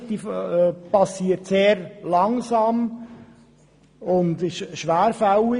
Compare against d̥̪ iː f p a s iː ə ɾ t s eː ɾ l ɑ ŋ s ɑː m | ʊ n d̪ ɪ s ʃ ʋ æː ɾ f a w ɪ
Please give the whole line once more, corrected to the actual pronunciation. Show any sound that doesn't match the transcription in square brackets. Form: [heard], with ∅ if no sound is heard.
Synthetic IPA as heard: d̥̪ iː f p [ɑ] s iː ə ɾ t s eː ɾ l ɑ ŋ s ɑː m | ʊ n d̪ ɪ [ʃ] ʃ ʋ æː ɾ f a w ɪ